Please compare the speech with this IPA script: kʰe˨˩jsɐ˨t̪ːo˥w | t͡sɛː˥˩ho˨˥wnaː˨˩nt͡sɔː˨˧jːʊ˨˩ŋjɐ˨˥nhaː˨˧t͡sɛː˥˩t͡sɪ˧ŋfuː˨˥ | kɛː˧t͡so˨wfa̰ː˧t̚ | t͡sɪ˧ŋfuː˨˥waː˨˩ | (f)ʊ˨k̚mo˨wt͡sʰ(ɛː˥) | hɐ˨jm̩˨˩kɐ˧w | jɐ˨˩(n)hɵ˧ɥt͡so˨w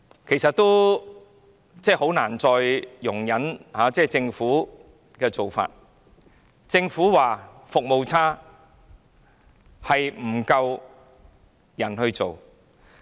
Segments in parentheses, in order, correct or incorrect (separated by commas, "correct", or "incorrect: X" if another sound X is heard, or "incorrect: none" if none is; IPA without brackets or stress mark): correct, incorrect: aː˥, correct